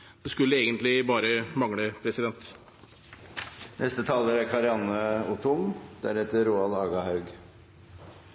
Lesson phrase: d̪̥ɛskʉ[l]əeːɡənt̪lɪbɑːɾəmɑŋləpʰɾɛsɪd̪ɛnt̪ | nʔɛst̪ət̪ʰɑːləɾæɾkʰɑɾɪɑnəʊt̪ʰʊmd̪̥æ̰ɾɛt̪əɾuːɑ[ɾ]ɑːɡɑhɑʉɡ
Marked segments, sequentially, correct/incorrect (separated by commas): incorrect, incorrect